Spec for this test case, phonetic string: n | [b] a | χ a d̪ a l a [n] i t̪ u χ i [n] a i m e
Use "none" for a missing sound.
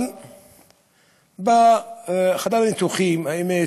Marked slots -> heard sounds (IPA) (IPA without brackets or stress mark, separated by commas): b, n, m